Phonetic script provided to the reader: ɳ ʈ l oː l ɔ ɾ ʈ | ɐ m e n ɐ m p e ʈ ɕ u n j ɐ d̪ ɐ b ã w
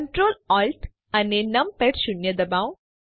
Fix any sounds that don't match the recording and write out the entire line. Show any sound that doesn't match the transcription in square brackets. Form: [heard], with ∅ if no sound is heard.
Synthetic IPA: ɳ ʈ [ɾ] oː l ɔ [l] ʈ | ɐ [n] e n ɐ m p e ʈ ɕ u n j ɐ d̪ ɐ b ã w